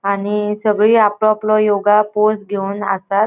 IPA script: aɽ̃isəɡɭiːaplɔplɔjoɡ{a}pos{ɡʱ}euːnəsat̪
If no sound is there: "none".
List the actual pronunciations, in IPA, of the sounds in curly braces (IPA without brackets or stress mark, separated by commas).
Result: a, ɡʱ